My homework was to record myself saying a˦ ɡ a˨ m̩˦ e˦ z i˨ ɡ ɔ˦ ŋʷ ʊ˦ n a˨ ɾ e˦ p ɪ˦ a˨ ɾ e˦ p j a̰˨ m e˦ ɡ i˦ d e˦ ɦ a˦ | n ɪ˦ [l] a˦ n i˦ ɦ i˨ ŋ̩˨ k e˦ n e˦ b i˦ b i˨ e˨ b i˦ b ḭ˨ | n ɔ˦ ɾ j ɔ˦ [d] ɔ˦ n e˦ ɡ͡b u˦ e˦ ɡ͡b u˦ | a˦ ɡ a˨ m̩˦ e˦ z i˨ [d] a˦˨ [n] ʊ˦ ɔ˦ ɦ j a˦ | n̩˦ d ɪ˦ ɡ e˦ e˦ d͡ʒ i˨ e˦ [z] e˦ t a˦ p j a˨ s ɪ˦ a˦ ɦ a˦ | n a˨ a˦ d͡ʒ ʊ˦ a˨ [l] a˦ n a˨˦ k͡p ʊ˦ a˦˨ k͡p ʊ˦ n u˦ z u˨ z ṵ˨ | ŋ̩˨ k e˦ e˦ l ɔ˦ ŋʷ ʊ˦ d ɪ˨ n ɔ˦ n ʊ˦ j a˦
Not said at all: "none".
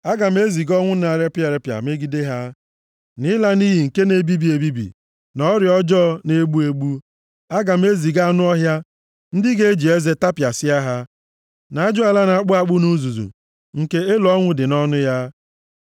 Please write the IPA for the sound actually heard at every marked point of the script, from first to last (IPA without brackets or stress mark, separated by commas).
l, d͡ʒ, ɡ, n, z, l